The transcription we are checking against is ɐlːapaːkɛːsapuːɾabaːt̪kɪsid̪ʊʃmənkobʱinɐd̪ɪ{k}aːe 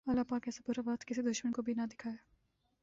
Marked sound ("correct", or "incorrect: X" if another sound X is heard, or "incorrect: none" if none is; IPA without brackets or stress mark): incorrect: kʰ